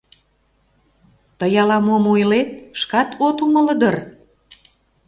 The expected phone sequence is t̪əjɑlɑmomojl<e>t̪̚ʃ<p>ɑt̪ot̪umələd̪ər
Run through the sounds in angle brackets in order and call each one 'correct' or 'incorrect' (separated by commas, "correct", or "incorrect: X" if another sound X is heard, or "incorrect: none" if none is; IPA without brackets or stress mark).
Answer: correct, incorrect: k